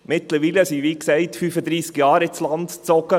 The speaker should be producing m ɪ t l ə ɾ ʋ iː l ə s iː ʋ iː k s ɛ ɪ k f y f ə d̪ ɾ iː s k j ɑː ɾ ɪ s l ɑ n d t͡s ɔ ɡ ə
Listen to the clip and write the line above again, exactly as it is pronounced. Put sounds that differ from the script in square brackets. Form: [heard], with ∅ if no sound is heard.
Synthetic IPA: m ɪ t l ə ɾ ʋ iː l ə s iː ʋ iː k s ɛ ɪ [t] f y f ə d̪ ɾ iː s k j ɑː ɾ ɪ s l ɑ n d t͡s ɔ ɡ ə